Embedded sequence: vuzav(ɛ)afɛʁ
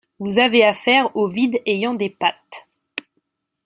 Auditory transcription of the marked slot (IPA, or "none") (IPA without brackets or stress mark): e